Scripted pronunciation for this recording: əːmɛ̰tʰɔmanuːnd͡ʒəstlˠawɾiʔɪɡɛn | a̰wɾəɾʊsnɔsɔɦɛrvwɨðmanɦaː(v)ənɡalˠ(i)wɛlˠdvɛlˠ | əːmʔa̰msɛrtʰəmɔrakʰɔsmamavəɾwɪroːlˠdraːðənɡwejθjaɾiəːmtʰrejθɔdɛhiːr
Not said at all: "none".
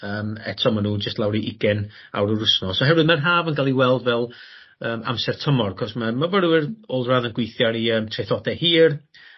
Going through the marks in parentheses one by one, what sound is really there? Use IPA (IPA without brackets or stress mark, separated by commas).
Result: v, i